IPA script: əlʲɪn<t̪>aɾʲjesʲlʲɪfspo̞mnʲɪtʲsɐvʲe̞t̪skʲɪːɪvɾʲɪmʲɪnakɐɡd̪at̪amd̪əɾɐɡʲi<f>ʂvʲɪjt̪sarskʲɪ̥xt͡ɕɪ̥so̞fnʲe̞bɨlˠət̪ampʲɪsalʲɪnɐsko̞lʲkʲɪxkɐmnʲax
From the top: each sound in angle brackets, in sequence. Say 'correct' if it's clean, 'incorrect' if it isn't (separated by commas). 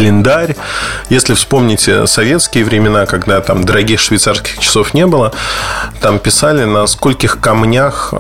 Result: incorrect, incorrect